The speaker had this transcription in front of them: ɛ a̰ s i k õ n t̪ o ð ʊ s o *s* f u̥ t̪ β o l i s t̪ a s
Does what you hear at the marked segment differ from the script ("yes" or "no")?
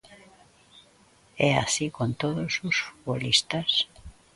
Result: no